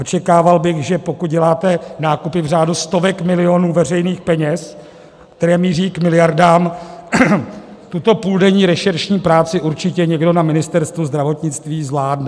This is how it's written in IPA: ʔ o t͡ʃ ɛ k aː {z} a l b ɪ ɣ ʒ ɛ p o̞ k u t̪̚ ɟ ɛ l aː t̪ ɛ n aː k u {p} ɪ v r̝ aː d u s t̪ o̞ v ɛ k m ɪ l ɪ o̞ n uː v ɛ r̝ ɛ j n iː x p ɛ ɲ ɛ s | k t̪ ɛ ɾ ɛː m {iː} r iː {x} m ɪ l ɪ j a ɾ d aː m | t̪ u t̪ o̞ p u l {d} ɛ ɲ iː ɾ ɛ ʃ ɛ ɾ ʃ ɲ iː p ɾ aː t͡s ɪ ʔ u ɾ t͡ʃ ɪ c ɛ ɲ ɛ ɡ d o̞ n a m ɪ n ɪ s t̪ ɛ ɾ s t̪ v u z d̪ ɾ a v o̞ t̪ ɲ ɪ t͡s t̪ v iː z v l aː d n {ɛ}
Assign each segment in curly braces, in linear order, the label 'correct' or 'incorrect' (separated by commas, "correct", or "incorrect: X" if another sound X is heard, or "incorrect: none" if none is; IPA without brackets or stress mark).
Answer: incorrect: v, correct, correct, incorrect: k, correct, correct